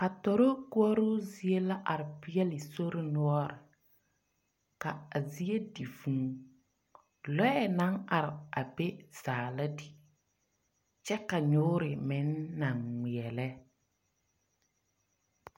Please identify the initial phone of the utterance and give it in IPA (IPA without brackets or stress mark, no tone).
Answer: k